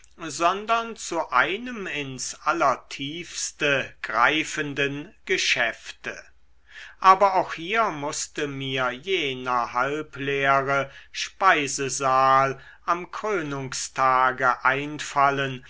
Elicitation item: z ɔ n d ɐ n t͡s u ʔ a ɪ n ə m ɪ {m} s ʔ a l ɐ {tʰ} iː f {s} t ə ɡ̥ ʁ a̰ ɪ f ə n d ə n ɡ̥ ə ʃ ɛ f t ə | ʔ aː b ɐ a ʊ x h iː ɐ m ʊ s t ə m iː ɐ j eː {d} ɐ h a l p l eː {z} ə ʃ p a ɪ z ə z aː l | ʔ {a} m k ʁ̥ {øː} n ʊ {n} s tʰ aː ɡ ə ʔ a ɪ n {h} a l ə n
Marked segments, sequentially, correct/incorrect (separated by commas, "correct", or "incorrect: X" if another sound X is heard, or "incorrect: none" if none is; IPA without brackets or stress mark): incorrect: n, correct, correct, incorrect: n, incorrect: ʁ, correct, correct, incorrect: ŋ, incorrect: f